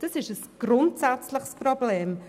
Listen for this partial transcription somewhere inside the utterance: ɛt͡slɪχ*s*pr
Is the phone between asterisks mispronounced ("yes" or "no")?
no